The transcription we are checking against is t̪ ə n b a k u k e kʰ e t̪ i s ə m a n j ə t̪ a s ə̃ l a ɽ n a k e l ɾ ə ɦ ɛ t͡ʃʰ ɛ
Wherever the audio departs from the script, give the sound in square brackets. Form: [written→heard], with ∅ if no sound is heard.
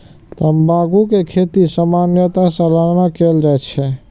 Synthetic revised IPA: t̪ ə [n→m] b a [k→ɡ] u k e kʰ e t̪ i s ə m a n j ə t̪ a s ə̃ l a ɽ n a k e l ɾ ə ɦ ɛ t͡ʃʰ ɛ